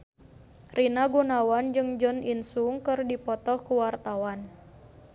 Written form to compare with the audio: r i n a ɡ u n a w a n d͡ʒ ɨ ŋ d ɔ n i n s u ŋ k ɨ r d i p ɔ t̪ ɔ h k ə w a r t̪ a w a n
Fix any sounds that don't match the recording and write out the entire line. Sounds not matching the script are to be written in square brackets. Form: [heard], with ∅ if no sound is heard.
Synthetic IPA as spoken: r i n a ɡ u n a w a n d͡ʒ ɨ ŋ [d͡ʒ] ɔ n i n s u ŋ k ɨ r d i p ɔ t̪ ɔ h k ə w a r t̪ a w a n